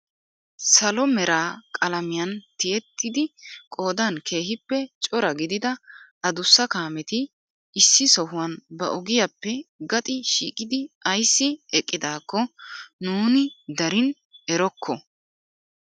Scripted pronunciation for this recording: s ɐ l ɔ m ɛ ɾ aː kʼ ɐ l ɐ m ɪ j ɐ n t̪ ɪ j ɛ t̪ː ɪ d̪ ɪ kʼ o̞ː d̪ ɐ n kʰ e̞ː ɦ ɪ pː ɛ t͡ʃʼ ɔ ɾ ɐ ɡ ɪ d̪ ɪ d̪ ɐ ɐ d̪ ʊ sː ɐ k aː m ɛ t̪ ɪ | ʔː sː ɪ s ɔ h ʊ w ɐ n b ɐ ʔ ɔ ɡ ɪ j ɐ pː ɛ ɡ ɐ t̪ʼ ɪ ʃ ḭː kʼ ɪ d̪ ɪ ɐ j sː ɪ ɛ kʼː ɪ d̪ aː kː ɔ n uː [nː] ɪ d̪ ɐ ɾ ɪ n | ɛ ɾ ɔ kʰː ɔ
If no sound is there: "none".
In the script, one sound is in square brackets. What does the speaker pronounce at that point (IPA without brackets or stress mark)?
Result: n